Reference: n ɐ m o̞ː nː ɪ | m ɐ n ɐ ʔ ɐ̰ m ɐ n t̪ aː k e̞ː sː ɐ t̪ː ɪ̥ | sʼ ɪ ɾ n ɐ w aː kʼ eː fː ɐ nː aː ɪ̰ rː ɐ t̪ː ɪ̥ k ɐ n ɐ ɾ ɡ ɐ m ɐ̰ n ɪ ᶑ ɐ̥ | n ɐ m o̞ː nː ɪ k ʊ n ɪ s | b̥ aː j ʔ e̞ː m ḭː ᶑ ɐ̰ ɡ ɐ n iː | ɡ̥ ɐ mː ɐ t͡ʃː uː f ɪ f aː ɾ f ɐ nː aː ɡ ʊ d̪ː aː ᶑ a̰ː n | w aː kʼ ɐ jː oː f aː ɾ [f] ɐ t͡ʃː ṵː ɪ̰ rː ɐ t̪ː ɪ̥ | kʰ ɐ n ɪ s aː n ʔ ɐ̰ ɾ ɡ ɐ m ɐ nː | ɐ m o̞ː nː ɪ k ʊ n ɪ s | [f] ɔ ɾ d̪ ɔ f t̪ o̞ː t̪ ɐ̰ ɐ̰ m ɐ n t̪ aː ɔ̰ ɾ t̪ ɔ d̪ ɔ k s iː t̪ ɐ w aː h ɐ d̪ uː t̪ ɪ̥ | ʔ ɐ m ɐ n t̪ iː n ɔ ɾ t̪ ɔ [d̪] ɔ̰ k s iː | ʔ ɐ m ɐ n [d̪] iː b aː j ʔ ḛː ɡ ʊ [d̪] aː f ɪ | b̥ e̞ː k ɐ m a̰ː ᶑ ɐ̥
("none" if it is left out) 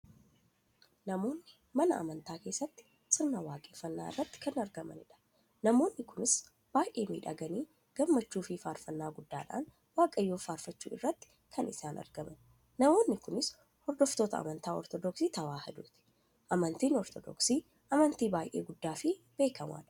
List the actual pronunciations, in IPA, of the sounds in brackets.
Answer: f, h, d̪, t̪, d̪ː

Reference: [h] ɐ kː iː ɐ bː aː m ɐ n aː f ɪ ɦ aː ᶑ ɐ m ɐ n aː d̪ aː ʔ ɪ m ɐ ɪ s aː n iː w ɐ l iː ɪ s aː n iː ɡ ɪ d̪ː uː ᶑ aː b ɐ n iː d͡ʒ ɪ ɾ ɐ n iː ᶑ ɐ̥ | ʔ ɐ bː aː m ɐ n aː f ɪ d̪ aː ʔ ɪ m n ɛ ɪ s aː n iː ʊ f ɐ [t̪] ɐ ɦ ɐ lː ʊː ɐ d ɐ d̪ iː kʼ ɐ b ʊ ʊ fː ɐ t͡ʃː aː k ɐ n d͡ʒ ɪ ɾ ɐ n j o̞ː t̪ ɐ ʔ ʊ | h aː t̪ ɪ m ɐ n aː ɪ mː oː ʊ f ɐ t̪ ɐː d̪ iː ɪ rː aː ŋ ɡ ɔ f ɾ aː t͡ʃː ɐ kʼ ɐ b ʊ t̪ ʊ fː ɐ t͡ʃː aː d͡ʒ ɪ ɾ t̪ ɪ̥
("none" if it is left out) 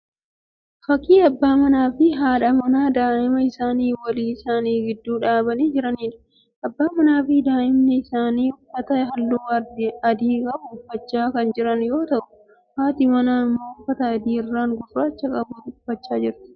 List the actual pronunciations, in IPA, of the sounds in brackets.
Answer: f, t̪

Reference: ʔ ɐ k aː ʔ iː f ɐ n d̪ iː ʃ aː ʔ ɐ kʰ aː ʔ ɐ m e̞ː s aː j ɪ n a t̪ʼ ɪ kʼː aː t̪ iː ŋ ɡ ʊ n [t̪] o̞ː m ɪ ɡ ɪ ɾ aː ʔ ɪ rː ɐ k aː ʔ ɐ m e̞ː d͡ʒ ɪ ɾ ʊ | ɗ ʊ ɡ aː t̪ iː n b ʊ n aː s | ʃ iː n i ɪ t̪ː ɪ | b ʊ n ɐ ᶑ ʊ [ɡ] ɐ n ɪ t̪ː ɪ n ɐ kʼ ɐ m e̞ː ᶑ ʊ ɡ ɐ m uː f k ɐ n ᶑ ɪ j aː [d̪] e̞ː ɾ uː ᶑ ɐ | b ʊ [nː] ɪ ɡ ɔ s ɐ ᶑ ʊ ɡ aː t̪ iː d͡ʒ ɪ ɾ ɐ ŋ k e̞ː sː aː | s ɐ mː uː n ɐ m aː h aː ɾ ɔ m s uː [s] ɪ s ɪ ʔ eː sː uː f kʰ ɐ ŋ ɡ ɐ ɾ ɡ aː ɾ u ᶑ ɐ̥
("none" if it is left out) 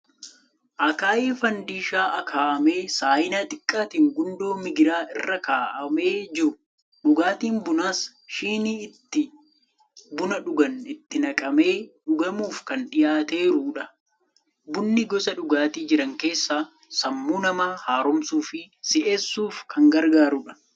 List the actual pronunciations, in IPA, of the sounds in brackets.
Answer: d̪, ɡ, t̪, nː, f

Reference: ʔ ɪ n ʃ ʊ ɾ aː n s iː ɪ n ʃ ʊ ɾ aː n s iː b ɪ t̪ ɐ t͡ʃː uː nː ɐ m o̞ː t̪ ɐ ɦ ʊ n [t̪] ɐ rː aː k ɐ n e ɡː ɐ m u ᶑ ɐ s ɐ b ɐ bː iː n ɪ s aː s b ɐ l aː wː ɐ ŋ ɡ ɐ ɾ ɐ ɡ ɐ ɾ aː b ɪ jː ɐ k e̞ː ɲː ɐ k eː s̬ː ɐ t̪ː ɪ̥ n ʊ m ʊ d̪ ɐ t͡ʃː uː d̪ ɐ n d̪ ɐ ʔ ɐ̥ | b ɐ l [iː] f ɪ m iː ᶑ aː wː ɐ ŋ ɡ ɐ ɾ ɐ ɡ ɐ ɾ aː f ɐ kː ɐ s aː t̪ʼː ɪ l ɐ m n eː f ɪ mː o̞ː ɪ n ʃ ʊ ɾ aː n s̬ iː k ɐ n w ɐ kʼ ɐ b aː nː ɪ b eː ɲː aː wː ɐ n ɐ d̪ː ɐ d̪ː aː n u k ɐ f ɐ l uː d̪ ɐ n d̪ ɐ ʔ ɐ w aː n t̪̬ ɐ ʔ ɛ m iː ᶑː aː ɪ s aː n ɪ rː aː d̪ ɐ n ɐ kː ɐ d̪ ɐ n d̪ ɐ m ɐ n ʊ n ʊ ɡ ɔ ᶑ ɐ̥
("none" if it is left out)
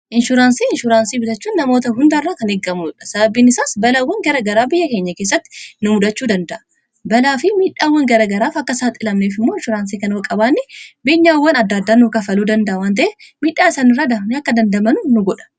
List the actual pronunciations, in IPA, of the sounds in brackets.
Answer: d̪, aː

